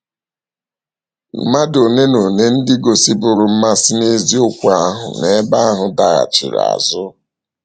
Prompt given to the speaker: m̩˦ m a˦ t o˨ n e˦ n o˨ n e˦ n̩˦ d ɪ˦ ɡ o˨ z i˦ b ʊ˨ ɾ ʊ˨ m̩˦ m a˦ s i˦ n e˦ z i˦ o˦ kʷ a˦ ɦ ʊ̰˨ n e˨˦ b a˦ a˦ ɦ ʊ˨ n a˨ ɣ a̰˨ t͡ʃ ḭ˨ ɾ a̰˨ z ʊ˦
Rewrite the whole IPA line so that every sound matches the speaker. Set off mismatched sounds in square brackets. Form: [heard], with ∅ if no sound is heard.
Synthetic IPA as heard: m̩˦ m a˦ [d] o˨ n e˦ n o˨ n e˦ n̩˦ d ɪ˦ ɡ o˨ [s] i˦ b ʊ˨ ɾ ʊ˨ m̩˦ m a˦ s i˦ n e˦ z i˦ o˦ kʷ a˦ ɦ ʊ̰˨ n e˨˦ b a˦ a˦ ɦ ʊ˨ [d] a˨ ɣ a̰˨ t͡ʃ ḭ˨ ɾ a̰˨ z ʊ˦